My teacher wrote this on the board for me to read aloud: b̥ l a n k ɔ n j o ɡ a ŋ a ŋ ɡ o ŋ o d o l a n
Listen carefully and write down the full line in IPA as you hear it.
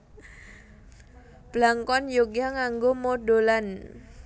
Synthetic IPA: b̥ l a ŋ k ɔ n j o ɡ a ŋ a ŋ ɡ o m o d o l a n